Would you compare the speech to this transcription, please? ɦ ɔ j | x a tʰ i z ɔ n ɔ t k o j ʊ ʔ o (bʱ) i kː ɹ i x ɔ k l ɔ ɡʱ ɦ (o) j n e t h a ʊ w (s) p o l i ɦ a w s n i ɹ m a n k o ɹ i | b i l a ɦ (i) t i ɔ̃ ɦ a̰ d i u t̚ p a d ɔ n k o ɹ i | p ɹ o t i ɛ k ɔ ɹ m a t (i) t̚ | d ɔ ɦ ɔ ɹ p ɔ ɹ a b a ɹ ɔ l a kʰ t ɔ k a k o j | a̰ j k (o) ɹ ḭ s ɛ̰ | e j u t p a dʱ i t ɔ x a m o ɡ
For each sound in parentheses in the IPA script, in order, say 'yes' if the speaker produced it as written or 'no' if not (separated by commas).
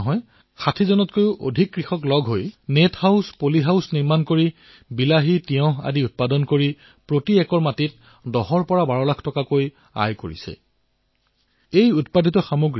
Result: no, yes, yes, yes, yes, yes